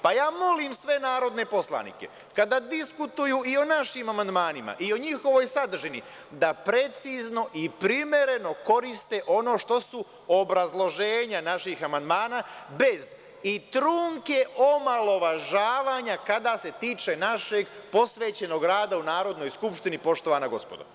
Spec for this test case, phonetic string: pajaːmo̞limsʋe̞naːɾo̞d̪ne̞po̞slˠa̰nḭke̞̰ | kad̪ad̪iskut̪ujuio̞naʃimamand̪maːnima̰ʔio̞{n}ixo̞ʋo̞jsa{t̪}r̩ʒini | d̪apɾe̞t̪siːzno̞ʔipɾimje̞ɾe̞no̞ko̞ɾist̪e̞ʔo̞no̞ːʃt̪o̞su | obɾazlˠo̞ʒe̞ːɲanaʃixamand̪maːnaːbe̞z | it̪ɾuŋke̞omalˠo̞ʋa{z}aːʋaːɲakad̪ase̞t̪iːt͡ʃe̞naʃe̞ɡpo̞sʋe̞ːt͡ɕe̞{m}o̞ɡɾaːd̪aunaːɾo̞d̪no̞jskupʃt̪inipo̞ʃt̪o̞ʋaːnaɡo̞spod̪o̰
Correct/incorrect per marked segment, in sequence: incorrect: ɲ, incorrect: d̪, incorrect: ʒ, incorrect: n

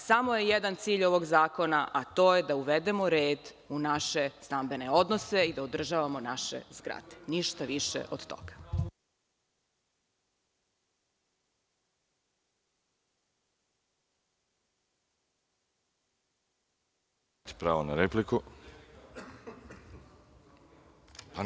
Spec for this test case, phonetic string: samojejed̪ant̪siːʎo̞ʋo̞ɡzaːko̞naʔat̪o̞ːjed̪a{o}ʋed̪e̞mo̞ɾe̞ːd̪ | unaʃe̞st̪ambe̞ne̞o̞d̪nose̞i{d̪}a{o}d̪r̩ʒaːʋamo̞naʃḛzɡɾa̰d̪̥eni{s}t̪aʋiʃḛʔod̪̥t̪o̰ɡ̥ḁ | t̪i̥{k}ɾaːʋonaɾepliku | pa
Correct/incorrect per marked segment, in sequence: incorrect: u, correct, correct, incorrect: ʃ, incorrect: p

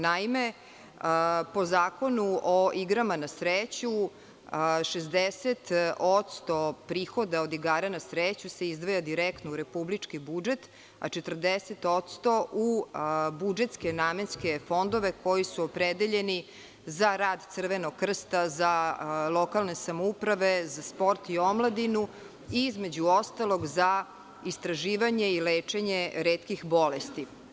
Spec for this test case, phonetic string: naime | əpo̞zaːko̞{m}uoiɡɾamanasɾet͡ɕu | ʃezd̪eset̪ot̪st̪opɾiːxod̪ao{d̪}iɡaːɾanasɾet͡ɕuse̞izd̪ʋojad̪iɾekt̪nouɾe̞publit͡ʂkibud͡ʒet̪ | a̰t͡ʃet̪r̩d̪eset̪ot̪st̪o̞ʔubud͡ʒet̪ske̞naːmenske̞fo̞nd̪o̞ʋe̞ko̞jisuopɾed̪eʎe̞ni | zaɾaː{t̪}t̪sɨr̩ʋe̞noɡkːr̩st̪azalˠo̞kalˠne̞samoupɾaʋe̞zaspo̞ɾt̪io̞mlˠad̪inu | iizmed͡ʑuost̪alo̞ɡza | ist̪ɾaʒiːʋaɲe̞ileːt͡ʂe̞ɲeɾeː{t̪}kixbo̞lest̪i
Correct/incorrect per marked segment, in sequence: incorrect: n, correct, incorrect: d̪, correct

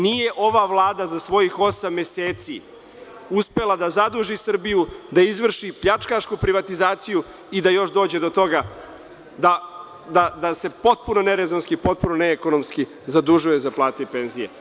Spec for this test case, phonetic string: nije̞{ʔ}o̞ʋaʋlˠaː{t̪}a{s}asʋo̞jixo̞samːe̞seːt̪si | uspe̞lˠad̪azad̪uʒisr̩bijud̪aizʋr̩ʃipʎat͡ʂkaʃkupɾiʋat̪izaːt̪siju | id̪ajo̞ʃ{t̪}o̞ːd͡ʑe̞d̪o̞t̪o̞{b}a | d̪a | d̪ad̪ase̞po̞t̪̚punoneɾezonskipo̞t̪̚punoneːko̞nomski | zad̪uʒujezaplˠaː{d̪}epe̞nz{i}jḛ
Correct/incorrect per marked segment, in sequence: correct, incorrect: d̪, incorrect: z, incorrect: d̪, incorrect: ɡ, incorrect: t̪, correct

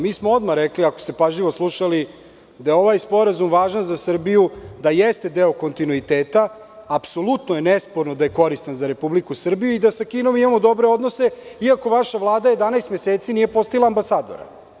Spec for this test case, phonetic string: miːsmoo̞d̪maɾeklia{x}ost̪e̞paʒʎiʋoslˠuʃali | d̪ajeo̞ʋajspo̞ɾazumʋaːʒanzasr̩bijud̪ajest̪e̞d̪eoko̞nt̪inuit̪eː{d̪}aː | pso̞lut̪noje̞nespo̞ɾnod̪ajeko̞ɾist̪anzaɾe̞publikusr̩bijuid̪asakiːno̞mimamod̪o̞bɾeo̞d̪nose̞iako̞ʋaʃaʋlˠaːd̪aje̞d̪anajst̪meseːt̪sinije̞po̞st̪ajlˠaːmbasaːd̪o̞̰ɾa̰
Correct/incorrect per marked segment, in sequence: incorrect: k, incorrect: t̪

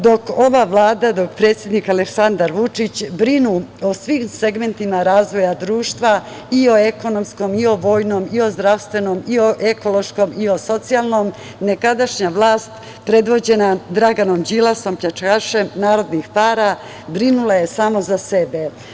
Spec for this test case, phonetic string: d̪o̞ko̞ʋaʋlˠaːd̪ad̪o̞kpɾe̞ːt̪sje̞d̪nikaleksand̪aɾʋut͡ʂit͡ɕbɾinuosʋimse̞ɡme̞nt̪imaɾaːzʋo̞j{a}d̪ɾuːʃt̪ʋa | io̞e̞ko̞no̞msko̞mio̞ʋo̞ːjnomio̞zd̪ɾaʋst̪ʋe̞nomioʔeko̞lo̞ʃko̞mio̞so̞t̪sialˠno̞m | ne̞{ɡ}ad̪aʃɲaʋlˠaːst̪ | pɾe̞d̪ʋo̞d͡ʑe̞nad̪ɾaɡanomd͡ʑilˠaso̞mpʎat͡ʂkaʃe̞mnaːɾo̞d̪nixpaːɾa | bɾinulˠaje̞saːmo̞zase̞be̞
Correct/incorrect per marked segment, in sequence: correct, incorrect: k

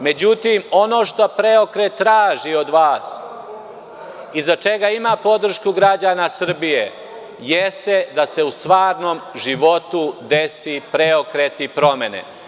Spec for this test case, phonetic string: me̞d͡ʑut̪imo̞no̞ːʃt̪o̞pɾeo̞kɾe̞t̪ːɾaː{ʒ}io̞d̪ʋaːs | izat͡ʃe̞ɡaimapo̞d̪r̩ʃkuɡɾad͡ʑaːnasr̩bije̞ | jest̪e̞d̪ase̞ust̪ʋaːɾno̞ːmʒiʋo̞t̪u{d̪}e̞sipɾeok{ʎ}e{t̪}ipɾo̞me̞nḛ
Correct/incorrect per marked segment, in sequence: correct, correct, incorrect: ɾ, correct

